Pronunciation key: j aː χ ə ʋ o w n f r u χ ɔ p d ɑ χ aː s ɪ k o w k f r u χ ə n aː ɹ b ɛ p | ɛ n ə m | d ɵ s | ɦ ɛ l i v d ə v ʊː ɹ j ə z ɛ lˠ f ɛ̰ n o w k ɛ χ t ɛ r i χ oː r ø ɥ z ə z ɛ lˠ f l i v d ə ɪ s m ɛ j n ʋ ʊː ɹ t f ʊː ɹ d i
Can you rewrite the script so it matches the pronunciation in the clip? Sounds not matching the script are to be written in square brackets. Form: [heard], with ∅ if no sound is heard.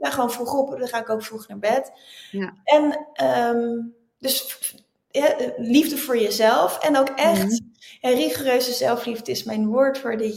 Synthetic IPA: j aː χ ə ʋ o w n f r u χ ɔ p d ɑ χ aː [∅] ɪ k o w k f r u χ ə n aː ɹ b ɛ [t] | ɛ n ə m | d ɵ s | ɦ ɛ l i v d ə v ʊː ɹ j ə z ɛ lˠ f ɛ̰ n o w k ɛ χ t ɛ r i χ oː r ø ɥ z ə z ɛ lˠ f l i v d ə ɪ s m ɛ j n ʋ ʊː ɹ t f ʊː ɹ d [ɪ]